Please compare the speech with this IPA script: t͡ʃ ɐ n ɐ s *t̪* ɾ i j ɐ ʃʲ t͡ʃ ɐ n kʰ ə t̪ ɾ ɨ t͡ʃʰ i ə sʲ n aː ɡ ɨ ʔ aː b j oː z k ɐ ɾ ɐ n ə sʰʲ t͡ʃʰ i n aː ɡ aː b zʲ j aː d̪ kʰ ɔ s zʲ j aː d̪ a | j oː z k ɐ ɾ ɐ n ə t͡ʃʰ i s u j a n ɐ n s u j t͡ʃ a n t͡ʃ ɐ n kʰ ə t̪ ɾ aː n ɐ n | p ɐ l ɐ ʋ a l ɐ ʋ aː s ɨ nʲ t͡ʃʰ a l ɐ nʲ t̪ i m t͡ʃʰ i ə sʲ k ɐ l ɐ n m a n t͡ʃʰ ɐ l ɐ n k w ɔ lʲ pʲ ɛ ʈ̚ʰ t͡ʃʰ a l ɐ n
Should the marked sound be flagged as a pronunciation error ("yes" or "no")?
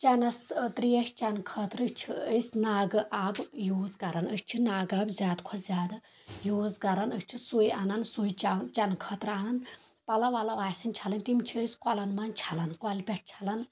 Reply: no